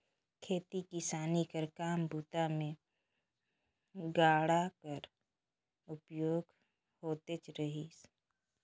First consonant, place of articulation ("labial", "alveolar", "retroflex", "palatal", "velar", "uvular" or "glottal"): velar